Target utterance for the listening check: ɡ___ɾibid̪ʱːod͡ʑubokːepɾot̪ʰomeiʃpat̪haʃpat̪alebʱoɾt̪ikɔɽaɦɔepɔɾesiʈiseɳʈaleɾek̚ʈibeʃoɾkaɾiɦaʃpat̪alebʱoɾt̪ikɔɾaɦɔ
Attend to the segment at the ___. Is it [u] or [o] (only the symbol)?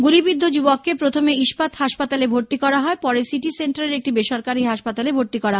u